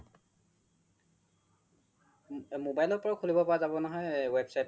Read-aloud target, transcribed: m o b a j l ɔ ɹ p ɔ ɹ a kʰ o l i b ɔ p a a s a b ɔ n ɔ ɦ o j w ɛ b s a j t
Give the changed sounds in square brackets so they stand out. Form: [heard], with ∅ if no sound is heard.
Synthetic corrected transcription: m o b a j l ɔ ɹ p ɔ ɹ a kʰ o l i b ɔ p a a [z] a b ɔ n ɔ ɦ [ɔ] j w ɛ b s a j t